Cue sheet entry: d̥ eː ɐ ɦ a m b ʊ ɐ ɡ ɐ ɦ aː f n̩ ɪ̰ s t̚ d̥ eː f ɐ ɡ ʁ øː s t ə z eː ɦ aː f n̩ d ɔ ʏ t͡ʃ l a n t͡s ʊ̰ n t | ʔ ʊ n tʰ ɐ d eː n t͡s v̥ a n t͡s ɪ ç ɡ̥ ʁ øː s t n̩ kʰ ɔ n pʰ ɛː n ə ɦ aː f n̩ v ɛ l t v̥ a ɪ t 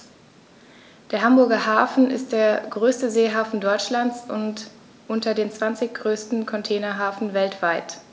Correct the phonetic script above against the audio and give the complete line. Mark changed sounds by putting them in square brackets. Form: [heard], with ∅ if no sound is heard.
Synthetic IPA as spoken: d̥ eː ɐ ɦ a m b ʊ ɐ ɡ ɐ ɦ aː f n̩ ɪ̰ s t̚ d̥ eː [∅] ɐ ɡ ʁ øː s t ə z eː ɦ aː f n̩ d ɔ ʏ t͡ʃ l a n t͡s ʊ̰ n t | ʔ ʊ n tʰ ɐ d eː n t͡s v̥ a n t͡s ɪ ç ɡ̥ ʁ øː s t n̩ kʰ ɔ n [tʰ] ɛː n [ɐ] ɦ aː f n̩ v ɛ l t v̥ a ɪ t